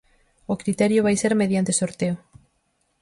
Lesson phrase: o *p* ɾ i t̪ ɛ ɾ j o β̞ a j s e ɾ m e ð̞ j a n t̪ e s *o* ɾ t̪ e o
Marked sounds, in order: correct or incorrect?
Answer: incorrect, correct

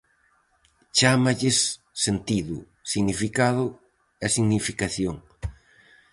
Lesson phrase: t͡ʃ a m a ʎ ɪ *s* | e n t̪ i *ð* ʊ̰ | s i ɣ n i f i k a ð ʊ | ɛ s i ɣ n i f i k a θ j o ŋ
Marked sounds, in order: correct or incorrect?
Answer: incorrect, correct

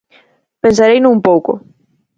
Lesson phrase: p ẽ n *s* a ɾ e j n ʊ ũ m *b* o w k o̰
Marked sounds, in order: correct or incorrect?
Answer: correct, incorrect

